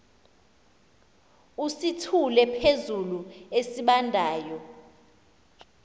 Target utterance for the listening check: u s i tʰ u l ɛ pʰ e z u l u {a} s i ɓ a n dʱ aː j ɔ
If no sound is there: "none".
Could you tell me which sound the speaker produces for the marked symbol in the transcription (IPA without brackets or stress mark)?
e